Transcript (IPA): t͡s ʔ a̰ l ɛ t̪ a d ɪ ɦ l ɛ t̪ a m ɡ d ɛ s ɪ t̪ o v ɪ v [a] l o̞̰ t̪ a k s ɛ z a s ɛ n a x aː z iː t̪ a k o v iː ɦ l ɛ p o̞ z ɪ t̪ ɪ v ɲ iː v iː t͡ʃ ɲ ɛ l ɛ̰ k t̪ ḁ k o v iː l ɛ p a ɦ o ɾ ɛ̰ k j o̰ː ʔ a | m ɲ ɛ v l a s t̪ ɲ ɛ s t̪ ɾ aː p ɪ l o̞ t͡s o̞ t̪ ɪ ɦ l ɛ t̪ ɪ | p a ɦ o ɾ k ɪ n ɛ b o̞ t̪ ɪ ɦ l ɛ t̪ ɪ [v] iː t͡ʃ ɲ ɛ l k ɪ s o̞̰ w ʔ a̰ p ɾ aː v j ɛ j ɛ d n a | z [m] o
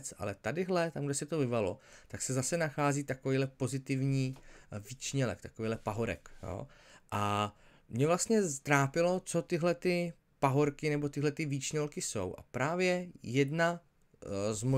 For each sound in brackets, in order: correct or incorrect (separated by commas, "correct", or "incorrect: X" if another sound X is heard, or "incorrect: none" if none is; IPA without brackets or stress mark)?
correct, correct, correct